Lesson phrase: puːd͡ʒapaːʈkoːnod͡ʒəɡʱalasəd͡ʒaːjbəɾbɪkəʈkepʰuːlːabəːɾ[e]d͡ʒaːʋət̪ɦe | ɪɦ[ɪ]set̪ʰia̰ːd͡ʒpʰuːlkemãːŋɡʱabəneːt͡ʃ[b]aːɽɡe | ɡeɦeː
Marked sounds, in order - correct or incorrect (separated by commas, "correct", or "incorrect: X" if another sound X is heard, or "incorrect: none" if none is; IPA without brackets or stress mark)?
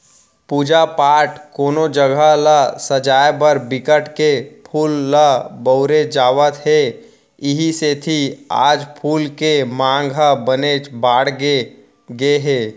correct, incorrect: i, correct